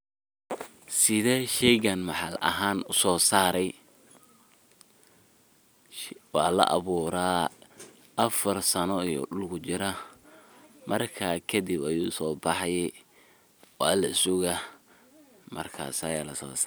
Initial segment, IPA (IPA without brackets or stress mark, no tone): s